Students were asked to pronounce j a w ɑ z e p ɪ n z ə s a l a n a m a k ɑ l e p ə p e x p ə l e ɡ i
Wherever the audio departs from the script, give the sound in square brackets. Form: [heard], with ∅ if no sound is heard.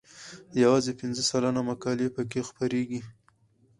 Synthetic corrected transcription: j a w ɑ z e p ɪ n z ə s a l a n a m a k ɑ l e p ə [k] e x p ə [ɾ] e ɡ i